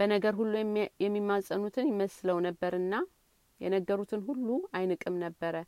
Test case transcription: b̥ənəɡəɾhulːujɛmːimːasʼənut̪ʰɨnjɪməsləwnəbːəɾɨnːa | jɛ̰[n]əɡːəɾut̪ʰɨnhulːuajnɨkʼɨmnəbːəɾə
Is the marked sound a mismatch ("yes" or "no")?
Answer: no